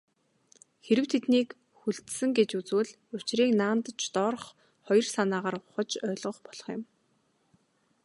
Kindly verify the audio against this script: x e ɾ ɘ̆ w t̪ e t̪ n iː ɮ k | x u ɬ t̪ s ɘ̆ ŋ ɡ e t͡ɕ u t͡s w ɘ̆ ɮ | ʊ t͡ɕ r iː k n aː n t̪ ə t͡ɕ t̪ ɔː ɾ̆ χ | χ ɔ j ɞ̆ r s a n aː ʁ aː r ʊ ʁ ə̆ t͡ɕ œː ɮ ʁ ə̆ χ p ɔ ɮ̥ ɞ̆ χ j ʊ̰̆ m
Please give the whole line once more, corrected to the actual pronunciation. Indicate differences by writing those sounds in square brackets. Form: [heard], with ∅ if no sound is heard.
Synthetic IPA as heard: x e ɾ ɘ̆ w [t̪ʰ] e t̪ n iː [∅] k | x u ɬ t̪ s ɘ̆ ŋ ɡ e t͡ɕ u t͡s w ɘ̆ ɮ | ʊ t͡ɕ r iː k n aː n t̪ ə t͡ɕ t̪ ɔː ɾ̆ χ | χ ɔ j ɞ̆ r s a n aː ʁ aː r ʊ [χ] ə̆ t͡ɕ œː ɮ ʁ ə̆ χ p ɔ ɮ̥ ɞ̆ χ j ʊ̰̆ m